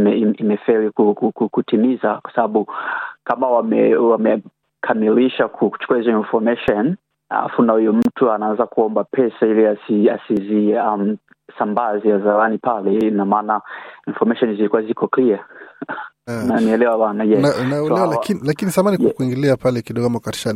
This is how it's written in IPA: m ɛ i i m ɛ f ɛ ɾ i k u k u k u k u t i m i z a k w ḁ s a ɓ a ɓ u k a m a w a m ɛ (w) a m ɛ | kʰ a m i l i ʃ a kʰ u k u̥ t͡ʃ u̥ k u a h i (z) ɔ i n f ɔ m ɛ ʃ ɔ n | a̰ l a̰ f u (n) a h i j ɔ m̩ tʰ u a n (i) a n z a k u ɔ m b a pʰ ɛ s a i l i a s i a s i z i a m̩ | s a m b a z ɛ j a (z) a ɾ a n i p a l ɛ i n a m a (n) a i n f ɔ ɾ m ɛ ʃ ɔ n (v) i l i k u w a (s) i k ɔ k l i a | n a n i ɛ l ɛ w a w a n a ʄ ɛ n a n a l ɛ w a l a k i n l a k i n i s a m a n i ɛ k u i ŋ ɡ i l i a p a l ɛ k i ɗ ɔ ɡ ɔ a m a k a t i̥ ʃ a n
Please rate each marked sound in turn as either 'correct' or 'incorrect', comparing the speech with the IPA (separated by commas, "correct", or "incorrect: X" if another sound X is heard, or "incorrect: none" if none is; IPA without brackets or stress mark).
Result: correct, correct, correct, incorrect: a, correct, correct, incorrect: z, incorrect: z